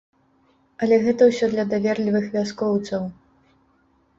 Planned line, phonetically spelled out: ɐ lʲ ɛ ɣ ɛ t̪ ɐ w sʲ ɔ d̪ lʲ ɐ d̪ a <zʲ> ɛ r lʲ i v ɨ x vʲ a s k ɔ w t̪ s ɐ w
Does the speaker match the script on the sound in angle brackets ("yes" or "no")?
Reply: no